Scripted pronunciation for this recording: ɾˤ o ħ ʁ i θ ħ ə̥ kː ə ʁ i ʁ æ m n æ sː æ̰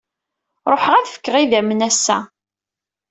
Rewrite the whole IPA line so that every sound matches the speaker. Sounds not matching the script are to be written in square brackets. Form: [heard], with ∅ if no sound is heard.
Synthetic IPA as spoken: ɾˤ o ħ ʁ [æ] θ [f] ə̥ kː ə ʁ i [ð] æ m n æ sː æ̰